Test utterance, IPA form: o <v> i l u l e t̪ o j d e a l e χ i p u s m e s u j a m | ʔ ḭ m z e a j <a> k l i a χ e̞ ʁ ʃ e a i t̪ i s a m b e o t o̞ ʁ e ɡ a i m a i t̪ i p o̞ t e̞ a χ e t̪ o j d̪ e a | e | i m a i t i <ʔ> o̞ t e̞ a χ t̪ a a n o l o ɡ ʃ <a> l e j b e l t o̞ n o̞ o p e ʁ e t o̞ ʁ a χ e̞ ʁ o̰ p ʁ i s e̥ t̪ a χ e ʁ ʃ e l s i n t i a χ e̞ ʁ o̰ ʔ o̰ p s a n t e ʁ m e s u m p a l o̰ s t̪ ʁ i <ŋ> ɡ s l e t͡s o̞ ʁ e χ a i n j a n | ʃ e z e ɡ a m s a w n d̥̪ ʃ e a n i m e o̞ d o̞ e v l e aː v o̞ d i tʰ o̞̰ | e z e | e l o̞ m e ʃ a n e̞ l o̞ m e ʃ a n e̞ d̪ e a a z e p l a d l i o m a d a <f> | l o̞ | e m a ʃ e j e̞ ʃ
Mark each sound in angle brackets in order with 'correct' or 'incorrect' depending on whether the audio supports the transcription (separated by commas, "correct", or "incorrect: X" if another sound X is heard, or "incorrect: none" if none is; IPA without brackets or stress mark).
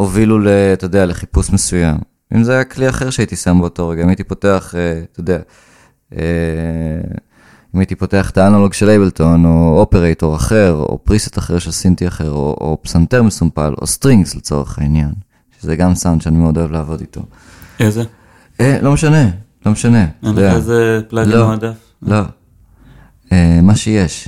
correct, correct, incorrect: p, incorrect: e, correct, correct